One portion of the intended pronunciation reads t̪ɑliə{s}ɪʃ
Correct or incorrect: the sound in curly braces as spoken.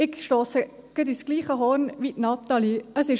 correct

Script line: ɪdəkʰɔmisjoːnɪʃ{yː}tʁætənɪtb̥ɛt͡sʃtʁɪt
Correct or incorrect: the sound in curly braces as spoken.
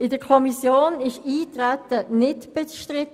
incorrect: iː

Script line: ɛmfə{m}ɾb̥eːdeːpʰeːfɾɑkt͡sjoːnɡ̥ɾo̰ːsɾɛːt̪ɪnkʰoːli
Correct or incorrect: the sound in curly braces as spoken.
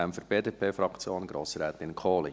incorrect: none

